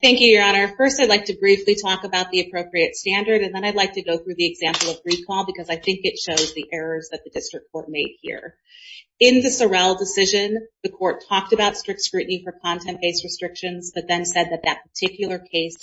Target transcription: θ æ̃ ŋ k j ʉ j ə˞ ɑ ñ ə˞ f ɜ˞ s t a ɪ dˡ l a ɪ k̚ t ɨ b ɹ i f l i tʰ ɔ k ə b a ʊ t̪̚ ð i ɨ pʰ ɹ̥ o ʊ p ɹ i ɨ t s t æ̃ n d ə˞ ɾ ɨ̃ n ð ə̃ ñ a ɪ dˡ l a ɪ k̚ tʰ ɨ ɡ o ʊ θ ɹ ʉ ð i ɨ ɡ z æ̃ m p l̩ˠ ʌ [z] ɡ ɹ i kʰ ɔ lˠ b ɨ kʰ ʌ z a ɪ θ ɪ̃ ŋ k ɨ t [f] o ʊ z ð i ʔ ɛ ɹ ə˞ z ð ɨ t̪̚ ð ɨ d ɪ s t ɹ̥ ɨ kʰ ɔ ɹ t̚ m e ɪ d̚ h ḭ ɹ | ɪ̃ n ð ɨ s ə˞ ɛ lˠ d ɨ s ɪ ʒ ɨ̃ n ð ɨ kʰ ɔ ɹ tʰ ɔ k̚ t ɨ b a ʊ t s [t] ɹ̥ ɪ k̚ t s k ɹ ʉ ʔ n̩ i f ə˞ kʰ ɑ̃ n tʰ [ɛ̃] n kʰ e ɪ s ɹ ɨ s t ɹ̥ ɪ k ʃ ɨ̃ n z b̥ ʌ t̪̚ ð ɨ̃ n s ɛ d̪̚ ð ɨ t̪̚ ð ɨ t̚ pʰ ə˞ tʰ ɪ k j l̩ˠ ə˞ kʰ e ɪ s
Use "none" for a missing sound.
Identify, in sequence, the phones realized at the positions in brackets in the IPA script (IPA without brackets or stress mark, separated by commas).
v, ʃ, t, ɛ̃